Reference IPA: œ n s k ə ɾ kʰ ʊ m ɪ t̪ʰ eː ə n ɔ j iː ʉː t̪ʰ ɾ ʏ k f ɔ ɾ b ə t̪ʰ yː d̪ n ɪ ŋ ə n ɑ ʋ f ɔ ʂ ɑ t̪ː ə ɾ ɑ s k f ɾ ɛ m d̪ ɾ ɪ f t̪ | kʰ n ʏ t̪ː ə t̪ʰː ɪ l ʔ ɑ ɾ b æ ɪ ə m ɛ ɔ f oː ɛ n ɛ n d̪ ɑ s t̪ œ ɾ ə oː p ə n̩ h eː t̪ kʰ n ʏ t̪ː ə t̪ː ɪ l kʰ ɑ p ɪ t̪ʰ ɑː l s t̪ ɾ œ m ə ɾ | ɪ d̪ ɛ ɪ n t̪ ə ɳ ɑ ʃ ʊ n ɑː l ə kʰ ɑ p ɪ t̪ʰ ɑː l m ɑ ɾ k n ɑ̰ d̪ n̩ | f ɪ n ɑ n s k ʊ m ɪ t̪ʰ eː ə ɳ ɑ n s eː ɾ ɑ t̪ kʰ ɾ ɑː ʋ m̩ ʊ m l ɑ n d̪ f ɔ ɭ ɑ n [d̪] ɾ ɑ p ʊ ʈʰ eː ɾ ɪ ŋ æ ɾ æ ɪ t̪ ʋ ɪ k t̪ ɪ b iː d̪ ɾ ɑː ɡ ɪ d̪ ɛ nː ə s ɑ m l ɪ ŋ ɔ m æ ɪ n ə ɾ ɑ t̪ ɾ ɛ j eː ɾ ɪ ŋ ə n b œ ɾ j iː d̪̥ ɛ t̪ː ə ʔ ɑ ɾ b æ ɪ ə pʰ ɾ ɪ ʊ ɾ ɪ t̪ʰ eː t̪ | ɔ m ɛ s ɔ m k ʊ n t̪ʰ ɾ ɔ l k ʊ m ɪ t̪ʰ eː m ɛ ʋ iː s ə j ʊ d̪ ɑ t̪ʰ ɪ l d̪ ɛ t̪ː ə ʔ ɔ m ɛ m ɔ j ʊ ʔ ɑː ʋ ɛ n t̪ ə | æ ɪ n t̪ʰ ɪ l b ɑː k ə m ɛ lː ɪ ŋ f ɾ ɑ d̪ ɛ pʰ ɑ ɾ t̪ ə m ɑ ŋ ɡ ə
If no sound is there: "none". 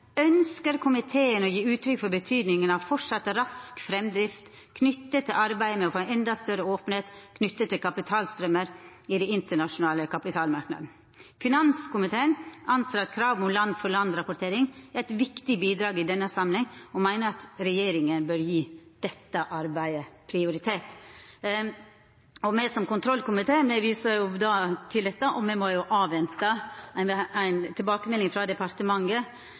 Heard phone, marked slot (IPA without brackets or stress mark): d̪